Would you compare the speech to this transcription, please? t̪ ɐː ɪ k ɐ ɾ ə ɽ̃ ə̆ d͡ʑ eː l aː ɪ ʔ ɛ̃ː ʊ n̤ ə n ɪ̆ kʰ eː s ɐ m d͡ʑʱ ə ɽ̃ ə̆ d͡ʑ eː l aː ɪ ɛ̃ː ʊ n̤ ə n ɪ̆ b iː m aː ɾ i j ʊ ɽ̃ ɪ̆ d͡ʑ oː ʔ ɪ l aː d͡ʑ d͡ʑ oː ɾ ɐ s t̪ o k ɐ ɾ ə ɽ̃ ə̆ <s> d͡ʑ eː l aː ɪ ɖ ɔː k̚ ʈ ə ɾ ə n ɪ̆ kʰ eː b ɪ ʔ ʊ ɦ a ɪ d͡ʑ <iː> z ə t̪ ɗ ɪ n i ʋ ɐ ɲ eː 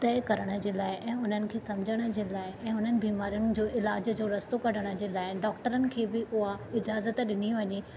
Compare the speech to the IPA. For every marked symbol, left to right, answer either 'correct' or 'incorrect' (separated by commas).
incorrect, incorrect